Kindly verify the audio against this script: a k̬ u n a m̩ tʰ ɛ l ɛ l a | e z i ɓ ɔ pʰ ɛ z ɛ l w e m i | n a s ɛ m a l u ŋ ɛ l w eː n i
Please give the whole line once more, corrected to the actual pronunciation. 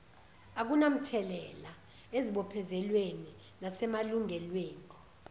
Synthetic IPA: a k̬ u n a m̩ tʰ ɛ l ɛ l a | e z i ɓ ɔ pʰ ɛ z ɛ l w e n i | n a s ɛ m a l u ŋ ɛ l w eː n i